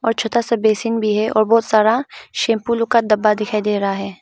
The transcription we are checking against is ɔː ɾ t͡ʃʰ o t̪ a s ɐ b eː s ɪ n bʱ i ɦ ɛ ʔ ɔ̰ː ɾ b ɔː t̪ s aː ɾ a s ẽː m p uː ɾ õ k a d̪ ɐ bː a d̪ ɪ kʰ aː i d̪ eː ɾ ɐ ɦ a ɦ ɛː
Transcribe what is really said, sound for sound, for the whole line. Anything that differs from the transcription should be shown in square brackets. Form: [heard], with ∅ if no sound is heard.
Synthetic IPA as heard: ɔː ɾ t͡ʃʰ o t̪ a s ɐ b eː s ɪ n bʱ i ɦ ɛ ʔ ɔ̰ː ɾ b ɔː t̪ s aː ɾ a [ʃ] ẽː m p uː [l] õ k a d̪ ɐ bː a d̪ ɪ kʰ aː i d̪ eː ɾ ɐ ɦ a ɦ ɛː